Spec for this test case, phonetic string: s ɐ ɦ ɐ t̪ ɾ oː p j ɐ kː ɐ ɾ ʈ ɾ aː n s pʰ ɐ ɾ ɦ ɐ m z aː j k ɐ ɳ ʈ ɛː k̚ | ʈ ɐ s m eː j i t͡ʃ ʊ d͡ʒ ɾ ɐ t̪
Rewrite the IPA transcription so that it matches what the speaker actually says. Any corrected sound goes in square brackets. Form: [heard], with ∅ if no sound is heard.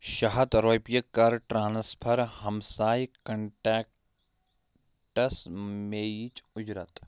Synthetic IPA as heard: [ʃ] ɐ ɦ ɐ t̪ ɾ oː p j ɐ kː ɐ ɾ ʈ ɾ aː n s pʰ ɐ ɾ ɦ ɐ m [s] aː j k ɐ ɳ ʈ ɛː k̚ | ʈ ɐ s m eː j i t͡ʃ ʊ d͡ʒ ɾ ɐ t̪